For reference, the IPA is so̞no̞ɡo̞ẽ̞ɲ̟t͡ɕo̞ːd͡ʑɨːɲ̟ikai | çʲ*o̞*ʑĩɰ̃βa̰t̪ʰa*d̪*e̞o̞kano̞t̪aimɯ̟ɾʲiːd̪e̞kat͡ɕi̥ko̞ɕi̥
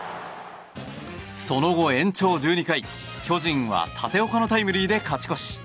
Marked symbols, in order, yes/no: yes, no

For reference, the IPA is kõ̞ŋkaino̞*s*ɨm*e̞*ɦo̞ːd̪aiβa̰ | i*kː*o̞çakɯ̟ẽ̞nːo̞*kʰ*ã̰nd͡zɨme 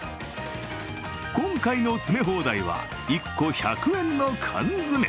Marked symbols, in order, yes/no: no, yes, yes, yes

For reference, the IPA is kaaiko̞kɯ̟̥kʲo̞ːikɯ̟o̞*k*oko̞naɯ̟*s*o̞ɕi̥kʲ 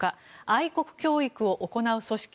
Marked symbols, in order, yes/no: no, yes

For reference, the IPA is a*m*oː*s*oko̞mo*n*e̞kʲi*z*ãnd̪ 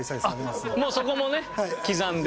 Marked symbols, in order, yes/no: yes, yes, yes, yes

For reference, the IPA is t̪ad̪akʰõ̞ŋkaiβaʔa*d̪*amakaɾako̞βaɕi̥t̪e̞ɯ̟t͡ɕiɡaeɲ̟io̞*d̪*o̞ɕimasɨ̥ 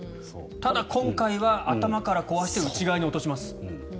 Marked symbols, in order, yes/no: no, no

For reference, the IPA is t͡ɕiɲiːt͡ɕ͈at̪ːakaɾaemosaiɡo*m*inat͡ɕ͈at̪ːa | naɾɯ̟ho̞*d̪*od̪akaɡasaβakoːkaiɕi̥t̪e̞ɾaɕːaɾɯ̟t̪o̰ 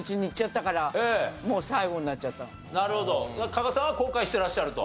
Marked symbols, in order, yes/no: no, yes

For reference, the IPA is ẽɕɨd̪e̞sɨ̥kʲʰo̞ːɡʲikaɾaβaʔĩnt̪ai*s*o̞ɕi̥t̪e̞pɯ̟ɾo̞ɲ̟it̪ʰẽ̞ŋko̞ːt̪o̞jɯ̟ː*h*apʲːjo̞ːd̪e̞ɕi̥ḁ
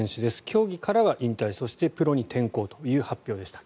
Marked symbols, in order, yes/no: yes, yes

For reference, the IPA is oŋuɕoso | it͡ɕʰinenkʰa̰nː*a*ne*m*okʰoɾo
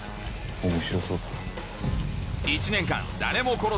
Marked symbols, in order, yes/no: yes, yes

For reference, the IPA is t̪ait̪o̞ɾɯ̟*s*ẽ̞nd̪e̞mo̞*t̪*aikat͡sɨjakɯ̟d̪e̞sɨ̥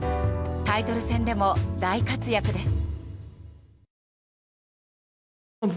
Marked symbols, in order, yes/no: yes, no

